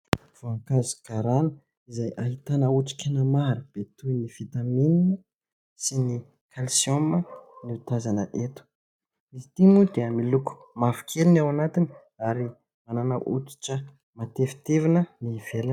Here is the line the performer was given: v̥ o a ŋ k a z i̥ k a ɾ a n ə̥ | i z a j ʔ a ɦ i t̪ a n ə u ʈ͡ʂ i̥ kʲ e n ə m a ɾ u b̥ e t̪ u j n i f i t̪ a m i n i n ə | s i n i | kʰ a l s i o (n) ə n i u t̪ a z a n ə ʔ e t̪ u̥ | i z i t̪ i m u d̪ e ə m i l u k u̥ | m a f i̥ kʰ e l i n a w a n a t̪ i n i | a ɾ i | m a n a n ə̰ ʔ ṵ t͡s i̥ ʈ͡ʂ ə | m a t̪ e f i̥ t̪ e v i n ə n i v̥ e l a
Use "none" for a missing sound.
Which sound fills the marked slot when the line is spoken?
m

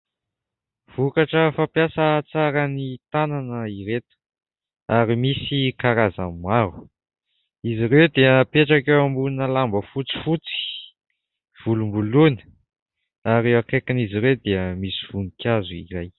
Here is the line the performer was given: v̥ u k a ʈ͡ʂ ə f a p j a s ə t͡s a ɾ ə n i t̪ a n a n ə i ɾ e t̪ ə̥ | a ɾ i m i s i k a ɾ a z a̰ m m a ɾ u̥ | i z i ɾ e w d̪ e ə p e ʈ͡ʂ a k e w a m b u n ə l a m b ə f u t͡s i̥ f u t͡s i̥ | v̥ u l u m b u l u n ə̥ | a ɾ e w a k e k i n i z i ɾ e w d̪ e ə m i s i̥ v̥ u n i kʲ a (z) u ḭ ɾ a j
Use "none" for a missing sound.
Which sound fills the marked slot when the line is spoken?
z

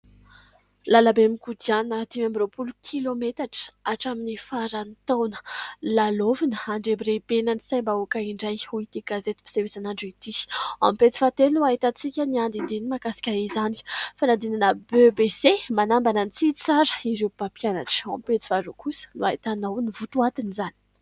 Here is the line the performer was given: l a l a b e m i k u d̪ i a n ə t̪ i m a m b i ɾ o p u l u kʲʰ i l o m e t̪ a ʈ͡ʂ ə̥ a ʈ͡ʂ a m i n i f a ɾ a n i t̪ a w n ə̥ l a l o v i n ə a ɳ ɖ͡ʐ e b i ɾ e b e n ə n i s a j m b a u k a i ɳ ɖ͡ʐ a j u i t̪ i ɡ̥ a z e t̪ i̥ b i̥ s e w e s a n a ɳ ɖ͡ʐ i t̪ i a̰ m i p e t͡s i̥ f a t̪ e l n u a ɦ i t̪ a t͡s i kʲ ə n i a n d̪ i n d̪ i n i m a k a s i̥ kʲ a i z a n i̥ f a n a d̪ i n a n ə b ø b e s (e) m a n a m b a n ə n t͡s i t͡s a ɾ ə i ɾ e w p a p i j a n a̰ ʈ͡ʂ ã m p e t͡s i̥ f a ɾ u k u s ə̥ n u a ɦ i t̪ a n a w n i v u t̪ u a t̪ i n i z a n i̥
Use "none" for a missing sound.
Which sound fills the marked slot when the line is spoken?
e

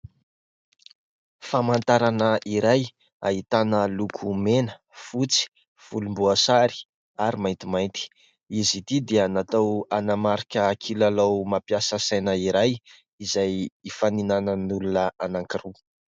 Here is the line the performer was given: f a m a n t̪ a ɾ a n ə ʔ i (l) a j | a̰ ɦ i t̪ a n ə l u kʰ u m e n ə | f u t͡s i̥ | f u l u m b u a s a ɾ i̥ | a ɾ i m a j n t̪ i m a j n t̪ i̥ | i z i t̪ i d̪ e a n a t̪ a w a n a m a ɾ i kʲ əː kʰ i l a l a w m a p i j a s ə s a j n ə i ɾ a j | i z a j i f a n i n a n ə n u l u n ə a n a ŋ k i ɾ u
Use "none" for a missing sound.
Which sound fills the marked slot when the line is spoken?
ɾ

